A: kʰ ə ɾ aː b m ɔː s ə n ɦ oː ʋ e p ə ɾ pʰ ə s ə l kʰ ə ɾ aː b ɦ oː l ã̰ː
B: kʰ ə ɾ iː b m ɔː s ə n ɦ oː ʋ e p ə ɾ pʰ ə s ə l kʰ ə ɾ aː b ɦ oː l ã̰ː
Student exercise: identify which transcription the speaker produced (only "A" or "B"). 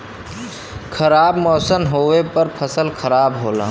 A